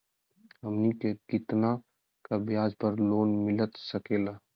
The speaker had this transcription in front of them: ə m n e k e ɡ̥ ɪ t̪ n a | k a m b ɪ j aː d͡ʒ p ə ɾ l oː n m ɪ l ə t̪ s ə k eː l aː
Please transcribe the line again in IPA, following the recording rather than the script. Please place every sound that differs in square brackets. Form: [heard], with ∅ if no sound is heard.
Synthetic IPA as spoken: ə m n [i] k e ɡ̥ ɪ t̪ n a | k a [∅] b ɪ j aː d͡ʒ p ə ɾ l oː n m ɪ l ə t̪ s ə k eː l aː